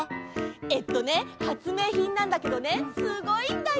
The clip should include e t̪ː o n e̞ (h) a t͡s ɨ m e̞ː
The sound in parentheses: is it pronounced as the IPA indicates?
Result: yes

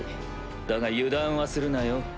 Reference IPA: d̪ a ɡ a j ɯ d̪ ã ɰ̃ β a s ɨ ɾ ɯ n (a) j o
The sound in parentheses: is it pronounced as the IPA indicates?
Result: yes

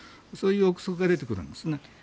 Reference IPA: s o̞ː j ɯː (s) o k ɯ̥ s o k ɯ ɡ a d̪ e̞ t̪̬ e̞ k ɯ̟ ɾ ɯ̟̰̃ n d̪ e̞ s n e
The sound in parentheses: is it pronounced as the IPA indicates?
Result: no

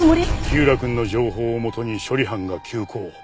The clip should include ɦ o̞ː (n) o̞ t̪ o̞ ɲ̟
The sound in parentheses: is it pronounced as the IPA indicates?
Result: no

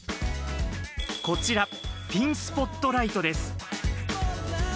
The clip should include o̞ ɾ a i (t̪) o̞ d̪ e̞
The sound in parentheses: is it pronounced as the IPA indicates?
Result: yes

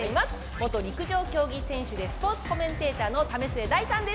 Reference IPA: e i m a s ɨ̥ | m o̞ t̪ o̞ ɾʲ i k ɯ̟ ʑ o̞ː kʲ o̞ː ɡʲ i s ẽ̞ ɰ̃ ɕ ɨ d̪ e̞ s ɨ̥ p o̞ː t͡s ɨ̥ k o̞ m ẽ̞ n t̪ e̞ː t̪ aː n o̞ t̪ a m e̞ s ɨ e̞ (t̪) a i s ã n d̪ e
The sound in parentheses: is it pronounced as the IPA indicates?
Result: no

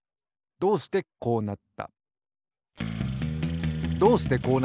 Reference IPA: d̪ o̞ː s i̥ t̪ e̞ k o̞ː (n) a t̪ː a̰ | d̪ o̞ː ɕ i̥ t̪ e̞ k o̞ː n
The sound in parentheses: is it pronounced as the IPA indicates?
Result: yes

